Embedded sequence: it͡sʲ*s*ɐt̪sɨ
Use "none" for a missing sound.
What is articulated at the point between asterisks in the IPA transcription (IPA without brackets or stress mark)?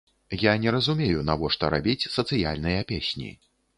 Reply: s